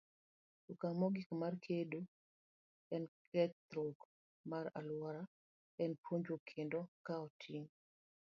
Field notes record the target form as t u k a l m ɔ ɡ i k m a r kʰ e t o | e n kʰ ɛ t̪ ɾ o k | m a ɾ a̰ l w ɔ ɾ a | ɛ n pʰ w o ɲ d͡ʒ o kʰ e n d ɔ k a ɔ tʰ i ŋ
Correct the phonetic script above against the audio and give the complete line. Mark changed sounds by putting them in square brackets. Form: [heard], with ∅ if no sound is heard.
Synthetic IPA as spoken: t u k a [∅] m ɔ ɡ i k m a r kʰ e [d] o | [ɛ] n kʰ ɛ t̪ ɾ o k | m a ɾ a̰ l w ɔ ɾ a | ɛ n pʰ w o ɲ d͡ʒ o kʰ e n d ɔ k a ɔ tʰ i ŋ